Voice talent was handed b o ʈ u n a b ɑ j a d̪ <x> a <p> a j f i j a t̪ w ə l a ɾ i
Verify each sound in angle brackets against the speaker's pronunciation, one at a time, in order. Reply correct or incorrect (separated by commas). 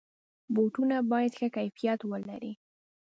correct, incorrect